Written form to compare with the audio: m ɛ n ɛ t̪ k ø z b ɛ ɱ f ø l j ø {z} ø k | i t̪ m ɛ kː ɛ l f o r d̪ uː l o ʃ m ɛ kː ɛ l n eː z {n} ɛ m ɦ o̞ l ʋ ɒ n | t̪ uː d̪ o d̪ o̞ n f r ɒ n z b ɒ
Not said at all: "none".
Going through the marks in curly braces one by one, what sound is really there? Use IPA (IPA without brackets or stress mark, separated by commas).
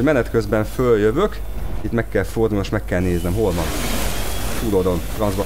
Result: v, n